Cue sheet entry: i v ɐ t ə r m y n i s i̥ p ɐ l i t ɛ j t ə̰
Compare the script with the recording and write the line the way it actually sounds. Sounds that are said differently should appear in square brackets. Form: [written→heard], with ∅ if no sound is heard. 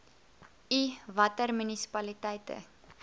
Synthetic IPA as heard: i v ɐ t ə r m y n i s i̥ p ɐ l i t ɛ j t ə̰